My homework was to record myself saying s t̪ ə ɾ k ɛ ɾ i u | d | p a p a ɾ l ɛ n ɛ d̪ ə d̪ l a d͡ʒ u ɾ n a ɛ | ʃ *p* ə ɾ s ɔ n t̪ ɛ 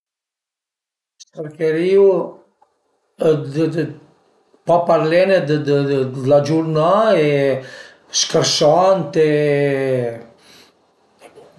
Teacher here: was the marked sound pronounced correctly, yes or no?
no